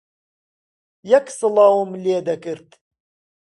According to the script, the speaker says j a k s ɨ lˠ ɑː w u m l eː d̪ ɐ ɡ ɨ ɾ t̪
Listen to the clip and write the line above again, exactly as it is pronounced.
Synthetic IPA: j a k s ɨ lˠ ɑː w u m l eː d̪ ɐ k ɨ ɾ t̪